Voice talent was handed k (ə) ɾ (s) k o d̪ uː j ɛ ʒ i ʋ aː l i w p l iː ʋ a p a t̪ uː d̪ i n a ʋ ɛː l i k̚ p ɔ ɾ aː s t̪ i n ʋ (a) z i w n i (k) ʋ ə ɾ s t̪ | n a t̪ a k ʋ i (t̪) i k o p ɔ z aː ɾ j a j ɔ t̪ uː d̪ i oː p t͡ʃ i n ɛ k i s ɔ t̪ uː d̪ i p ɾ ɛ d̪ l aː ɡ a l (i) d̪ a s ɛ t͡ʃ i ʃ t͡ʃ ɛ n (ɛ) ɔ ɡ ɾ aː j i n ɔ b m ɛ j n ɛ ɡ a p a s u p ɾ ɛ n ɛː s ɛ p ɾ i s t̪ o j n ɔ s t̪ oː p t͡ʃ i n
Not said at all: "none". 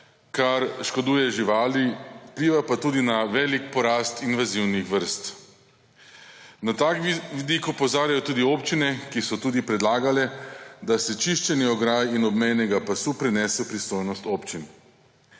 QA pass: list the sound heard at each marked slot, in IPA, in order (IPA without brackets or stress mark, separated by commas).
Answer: a, ʃ, a, x, d̪, ɛ, i